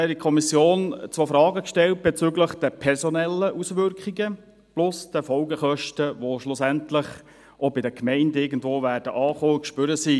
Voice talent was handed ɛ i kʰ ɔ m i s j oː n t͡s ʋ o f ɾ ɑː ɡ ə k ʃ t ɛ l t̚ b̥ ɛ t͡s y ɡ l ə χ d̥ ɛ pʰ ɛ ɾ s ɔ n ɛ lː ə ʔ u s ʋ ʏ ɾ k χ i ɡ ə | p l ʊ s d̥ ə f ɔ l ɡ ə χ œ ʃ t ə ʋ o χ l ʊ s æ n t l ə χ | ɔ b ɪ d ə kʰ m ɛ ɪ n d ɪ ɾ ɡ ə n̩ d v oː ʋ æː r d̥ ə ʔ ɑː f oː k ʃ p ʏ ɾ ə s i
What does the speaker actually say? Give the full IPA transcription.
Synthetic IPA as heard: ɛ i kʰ ɔ m i s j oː n t͡s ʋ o f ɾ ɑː ɡ ə k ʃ t ɛ l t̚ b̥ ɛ t͡s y ɡ l ə χ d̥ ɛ pʰ ɛ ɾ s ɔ n ɛ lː ə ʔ u s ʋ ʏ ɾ k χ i ɡ ə | p l ʊ s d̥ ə f ɔ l ɡ ə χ œ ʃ t ə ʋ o ʃ l ʊ s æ n t l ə χ | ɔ b ɪ d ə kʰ m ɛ ɪ n d ɪ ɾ ɡ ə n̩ d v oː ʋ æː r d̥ ə ʔ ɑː χ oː k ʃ p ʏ ɾ ə s i